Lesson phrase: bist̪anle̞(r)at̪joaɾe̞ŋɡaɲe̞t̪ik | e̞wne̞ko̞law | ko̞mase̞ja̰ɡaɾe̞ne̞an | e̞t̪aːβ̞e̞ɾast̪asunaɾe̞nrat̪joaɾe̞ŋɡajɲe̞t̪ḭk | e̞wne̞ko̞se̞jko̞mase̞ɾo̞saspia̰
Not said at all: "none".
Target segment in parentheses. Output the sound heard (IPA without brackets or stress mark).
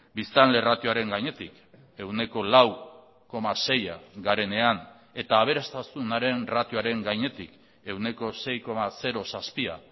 r